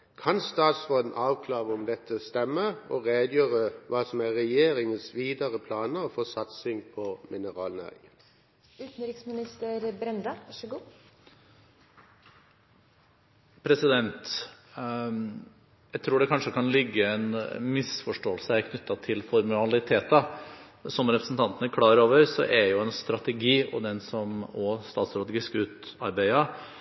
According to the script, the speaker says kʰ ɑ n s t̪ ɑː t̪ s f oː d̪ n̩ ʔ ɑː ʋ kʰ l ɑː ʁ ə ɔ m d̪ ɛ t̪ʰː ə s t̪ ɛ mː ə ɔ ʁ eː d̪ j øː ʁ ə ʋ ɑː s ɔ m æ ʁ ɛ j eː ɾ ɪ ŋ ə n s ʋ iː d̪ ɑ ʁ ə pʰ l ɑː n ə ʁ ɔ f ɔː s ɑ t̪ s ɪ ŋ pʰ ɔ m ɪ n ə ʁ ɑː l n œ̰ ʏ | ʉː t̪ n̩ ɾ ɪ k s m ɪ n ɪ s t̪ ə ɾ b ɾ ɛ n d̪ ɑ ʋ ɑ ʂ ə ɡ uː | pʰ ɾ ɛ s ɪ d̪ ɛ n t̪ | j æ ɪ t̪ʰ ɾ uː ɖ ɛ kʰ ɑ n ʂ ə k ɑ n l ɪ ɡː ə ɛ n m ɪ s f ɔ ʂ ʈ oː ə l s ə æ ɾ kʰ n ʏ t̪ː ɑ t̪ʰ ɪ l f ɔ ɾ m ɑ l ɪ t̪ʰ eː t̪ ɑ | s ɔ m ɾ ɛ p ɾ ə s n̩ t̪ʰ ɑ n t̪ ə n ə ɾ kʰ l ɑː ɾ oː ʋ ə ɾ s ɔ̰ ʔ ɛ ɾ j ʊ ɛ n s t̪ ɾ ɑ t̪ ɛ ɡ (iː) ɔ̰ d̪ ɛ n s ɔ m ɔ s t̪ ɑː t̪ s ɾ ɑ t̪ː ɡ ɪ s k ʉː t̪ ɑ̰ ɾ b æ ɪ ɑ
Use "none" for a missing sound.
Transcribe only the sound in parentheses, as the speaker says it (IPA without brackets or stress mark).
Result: iː